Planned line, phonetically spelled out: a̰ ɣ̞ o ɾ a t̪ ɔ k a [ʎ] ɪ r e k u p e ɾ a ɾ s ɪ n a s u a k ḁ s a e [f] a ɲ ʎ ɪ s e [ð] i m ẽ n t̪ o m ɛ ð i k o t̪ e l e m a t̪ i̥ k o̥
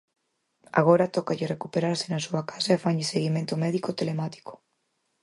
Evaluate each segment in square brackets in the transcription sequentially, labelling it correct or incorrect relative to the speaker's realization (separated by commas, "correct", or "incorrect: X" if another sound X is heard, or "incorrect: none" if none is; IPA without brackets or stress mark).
correct, correct, incorrect: ɣ